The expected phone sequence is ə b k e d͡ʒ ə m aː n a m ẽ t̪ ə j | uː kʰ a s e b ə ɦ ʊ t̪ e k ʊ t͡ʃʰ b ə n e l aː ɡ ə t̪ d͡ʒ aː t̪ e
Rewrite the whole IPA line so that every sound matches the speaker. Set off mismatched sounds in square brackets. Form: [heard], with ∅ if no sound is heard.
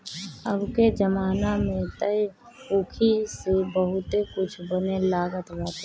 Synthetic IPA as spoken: ə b k e d͡ʒ ə m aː n a m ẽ t̪ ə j | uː kʰ [i] s e b ə ɦ ʊ t̪ e k ʊ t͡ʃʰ b ə n e l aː ɡ ə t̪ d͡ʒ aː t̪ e